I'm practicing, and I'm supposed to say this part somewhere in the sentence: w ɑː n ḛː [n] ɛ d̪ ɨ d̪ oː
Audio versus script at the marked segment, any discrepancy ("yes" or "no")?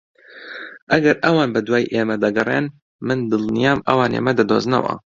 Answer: yes